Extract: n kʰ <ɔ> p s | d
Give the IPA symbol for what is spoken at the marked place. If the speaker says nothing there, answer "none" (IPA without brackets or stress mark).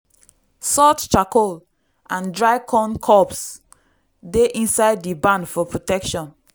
ɔ